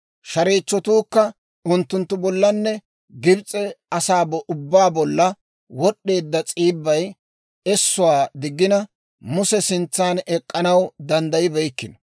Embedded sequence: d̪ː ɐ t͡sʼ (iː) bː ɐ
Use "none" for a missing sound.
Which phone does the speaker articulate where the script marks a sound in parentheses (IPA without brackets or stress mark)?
iː